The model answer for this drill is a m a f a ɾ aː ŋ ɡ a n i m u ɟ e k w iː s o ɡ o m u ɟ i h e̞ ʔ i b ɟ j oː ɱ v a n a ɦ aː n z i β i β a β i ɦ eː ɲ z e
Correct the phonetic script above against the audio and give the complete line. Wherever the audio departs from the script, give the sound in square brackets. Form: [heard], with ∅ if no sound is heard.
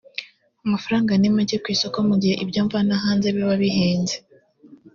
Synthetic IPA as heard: a m a f a ɾ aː ŋ ɡ a n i m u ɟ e k w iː s o [k] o m u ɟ i h e̞ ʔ i b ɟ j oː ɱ v a n a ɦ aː n z [e] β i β a β i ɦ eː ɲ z e